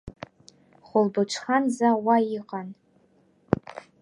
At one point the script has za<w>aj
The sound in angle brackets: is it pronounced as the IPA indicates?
yes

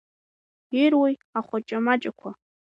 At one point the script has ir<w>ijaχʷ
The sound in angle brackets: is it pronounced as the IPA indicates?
yes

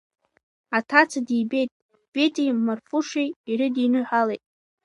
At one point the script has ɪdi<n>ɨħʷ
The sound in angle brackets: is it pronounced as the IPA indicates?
yes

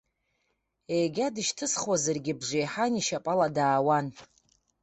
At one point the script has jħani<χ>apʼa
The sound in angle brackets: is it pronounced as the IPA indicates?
no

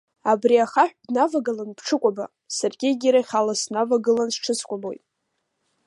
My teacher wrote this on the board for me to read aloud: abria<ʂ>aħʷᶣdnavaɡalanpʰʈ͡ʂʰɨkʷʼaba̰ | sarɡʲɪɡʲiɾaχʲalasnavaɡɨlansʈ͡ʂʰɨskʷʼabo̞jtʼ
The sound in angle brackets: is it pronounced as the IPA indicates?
no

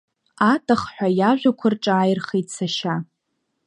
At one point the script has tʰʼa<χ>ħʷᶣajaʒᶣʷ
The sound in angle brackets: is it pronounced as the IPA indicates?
yes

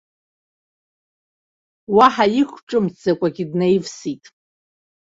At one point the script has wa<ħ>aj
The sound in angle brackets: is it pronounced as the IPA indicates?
yes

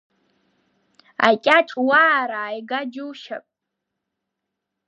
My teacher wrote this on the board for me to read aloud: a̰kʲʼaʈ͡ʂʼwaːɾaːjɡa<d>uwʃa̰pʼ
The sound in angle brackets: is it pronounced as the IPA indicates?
no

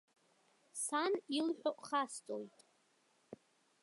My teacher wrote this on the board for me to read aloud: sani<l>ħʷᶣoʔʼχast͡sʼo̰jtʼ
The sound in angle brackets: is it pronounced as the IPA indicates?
yes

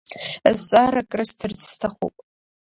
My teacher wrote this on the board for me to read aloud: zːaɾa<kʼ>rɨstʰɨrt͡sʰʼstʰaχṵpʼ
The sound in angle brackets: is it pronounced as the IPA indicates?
yes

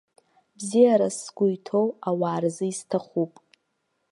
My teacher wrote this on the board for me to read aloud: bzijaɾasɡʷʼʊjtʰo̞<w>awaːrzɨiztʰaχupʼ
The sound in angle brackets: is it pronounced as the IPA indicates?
yes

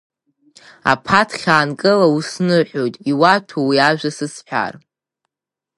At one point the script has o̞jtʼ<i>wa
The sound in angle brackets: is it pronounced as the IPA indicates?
yes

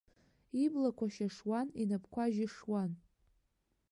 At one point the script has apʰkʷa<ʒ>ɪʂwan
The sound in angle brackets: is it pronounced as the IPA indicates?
yes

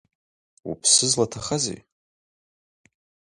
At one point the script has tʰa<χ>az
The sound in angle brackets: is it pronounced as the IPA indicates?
yes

